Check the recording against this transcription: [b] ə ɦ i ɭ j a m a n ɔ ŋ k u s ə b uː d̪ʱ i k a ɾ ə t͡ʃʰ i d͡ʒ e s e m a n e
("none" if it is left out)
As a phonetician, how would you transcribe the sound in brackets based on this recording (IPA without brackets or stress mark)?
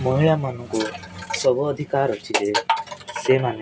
m